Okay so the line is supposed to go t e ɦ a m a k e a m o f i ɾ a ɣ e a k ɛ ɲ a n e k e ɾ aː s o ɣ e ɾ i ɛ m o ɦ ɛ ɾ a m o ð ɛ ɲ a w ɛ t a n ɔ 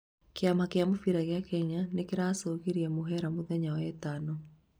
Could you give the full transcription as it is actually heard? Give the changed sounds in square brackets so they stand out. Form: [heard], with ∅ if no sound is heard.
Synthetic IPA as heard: [k] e [∅] a m a k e a m o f i ɾ a ɣ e a k ɛ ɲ a n e k e ɾ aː s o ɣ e ɾ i ɛ m o ɦ ɛ ɾ a m o ð ɛ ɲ a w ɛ t a n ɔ